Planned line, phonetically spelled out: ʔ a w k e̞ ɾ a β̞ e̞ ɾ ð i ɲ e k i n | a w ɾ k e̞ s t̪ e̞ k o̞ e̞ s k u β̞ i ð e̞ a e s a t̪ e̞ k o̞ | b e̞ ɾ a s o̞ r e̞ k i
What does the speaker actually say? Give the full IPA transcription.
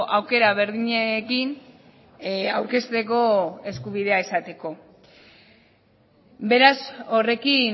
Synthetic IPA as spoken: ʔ a w k e̞ ɾ a β̞ e̞ ɾ ð i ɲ e k i n | a w ɾ k e̞ s t̪ e̞ k o̞ e̞ s k u β̞ i ð e̞ a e s a t̪ e̞ k o̞ | b e̞ ɾ a s o̞ r e̞ k i

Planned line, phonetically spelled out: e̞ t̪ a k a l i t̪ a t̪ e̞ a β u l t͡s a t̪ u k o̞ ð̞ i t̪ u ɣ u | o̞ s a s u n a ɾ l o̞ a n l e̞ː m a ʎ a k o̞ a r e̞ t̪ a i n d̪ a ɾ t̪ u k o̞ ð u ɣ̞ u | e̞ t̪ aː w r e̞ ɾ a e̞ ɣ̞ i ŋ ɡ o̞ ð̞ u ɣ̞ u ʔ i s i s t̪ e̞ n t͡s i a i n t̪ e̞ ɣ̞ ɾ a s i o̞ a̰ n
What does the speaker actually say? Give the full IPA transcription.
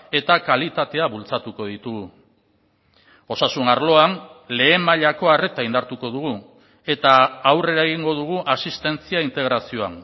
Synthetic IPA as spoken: e̞ t̪ a k a l i t̪ a t̪ e̞ a β u l t͡s a t̪ u k o̞ ð̞ i t̪ u ɣ u | o̞ s a s u n a ɾ l o̞ a n l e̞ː m a ʎ a k o̞ a r e̞ t̪ a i n d̪ a ɾ t̪ u k o̞ ð u ɣ̞ u | e̞ t̪ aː w r e̞ ɾ a e̞ ɣ̞ i ŋ ɡ o̞ ð̞ u ɣ̞ u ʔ a s i s t̪ e̞ n t͡s i a i n t̪ e̞ ɣ̞ ɾ a s i o̞ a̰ n

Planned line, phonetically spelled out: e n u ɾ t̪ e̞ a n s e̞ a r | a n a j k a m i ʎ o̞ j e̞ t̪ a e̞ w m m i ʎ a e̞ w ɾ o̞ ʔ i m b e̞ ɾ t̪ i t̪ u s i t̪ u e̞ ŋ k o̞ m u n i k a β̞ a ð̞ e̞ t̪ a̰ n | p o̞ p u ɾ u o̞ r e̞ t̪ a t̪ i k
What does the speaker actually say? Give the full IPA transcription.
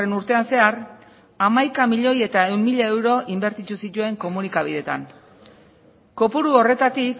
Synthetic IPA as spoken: e n u ɾ t̪ e̞ a n s e̞ a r | a m a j k a m i ʎ o̞ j e̞ t̪ a e̞ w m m i ʎ a e̞ w ɾ o̞ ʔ i m b e̞ ɾ t̪ i t̪ u s i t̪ u e̞ ŋ k o̞ m u n i k a β̞ i ð̞ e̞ t̪ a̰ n | k o̞ p u ɾ u o̞ r e̞ t̪ a t̪ i k

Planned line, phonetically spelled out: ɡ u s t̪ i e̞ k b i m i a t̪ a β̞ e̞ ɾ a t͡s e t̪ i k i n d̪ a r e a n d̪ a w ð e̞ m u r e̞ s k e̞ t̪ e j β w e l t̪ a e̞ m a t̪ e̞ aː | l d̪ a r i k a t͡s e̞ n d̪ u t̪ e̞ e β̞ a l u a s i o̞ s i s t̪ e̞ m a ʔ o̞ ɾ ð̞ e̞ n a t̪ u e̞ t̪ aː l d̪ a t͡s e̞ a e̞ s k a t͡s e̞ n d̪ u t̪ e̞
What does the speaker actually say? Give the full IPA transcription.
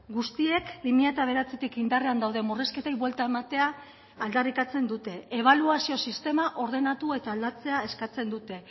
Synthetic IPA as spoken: ɡ u s t̪ i e̞ k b i m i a t̪ a β̞ e̞ ɾ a t͡s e t̪ i k i n d̪ a r e a n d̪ a w ð e̞ m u r e̞ s k e̞ t̪ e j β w e l t̪ a e̞ m a t̪ e̞ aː | l d̪ a r i k a t͡s e̞ n d̪ u t̪ e̞ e β̞ a l u a s i o̞ s i s t̪ e̞ m a ʔ o̞ ɾ ð̞ e̞ n a t̪ u e̞ t̪ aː l d̪ a t͡s e̞ a e̞ s k a t͡s e̞ n d̪ u t̪ e̞

